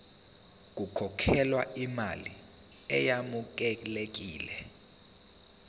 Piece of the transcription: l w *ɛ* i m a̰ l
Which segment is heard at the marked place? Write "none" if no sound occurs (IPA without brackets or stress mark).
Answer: a